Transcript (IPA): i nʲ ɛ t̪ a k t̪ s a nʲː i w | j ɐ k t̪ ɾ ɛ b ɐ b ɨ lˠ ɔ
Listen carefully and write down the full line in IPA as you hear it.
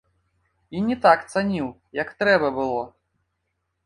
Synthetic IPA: i nʲ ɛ t̪ a k t̪ s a nʲ i w | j ɐ k t̪ ɾ ɛ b ɐ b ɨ lˠ ɔ